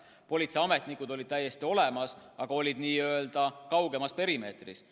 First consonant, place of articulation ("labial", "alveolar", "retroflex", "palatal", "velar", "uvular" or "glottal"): labial